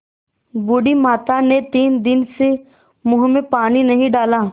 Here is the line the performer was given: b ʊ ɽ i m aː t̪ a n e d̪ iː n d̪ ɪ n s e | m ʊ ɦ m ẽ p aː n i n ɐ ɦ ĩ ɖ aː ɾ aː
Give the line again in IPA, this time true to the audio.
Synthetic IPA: b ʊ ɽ i m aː t̪ a n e t̪ iː n d̪ ɪ n s e | m ʊ ɦ m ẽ p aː n i n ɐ ɦ ĩ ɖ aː l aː